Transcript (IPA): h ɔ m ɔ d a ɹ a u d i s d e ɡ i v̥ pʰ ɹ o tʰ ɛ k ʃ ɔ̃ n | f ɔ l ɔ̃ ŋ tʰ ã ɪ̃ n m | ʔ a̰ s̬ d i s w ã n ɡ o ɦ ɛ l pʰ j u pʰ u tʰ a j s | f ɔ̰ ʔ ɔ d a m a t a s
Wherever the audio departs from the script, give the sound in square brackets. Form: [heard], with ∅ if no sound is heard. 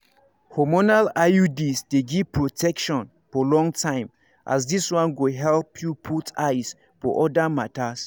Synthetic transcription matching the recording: h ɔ m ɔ [n] a [l] a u d i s d e ɡ i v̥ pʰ ɹ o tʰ ɛ k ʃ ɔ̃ n | f ɔ l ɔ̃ ŋ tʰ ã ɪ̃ [∅] m | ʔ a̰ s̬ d i s w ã n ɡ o ɦ ɛ l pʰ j u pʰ u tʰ a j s | f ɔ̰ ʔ ɔ d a m a t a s